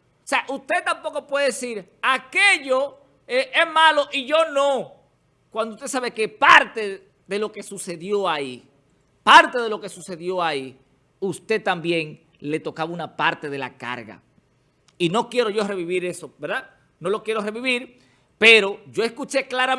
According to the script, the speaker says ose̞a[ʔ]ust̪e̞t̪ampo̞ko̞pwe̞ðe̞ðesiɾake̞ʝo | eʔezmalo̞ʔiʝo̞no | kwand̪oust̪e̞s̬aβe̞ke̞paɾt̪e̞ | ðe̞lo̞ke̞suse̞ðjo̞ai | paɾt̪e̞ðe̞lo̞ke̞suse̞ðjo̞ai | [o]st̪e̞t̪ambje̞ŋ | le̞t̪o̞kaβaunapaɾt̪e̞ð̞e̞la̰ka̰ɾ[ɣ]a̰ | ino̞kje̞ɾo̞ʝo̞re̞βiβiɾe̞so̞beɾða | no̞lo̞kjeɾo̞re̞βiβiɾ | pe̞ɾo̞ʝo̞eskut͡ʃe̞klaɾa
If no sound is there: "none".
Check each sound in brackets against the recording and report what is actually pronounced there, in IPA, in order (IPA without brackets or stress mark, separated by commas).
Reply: ʔ, u, ɣ